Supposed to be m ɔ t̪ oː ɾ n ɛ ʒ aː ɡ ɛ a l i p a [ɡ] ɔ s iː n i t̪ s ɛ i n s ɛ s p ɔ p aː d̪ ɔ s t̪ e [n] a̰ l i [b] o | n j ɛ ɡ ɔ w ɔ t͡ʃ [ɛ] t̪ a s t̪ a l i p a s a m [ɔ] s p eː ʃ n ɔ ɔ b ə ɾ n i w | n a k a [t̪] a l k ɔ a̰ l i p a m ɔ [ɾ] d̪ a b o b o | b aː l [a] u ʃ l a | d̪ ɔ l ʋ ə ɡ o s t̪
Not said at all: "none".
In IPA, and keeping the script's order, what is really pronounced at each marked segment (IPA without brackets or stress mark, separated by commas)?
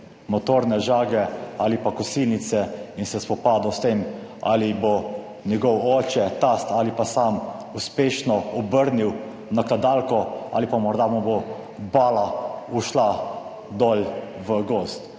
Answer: k, m, b, ɛ, u, d̪, ɾ, a